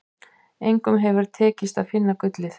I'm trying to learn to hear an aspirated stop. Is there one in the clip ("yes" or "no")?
yes